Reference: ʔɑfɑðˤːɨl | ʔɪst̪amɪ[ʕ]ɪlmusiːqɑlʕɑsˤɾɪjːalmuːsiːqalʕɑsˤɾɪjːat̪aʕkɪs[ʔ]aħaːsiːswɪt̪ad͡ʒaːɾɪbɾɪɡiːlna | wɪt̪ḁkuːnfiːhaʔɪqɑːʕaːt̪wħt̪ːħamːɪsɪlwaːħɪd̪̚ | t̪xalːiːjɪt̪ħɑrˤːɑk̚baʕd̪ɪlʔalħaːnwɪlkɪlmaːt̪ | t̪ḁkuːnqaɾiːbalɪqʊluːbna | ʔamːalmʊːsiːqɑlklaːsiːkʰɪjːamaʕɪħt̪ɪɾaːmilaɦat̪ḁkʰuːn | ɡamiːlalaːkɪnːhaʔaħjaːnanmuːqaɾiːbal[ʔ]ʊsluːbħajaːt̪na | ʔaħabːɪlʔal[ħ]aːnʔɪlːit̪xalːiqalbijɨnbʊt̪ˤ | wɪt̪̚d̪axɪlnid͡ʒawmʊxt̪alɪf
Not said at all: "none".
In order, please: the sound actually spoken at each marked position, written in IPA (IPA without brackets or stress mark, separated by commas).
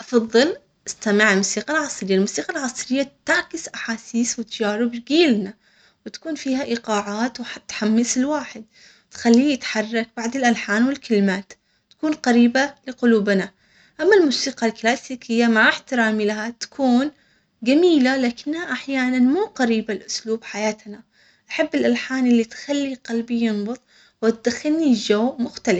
ʕ, ʔ, ʔ, ħ